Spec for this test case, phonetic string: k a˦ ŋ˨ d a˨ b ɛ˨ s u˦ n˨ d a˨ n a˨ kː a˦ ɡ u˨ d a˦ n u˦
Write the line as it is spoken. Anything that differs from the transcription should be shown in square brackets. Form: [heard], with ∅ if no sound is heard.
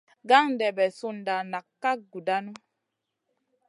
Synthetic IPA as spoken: [ɡ] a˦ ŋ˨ d [ɛ˨] b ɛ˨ s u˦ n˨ d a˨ n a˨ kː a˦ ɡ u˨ d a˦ n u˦

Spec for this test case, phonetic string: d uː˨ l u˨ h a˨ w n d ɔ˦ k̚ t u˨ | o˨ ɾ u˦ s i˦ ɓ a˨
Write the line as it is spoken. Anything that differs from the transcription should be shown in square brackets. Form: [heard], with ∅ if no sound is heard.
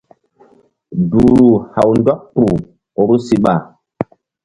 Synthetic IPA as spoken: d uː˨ [ɾ] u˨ h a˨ w n d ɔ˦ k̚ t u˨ | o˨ ɾ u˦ s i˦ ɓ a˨

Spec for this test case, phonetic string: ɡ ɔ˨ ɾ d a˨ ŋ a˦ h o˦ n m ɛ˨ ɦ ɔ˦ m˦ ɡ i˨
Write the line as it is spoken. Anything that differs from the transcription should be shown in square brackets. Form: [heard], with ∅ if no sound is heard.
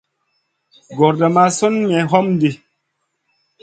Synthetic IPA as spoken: ɡ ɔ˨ ɾ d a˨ [m] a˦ [s] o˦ n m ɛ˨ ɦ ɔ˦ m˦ [d] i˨

